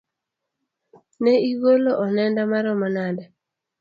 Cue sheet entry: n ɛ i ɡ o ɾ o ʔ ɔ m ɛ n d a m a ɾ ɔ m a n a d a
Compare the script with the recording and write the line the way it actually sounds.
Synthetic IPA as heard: n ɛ i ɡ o l o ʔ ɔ n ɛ n d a m a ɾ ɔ m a n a d a